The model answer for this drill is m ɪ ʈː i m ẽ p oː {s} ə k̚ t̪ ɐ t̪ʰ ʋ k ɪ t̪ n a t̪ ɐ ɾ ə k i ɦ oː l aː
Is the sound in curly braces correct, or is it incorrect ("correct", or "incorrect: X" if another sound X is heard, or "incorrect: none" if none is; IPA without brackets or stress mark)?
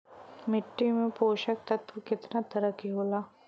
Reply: incorrect: ʃ